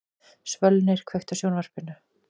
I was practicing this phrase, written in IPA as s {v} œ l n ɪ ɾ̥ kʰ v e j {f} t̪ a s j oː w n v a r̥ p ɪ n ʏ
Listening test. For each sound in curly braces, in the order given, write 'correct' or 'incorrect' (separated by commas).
correct, incorrect